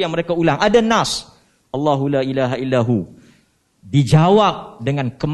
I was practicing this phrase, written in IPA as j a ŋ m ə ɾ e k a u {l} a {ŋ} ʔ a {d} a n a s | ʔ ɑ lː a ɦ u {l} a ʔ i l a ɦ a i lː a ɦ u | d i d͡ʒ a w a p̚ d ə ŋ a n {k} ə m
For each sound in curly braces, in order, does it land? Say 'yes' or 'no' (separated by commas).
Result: yes, yes, yes, yes, yes